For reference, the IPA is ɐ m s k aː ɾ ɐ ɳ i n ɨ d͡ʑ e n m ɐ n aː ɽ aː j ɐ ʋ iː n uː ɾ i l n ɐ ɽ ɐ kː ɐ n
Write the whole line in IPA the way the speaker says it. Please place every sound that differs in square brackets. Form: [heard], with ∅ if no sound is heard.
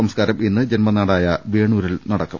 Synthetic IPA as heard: ɐ m s k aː ɾ ɐ [m] i [nː] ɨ d͡ʑ e n m ɐ n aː ɽ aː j ɐ ʋ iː [ɳ] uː ɾ i l n ɐ ɽ ɐ kː ɐ [m]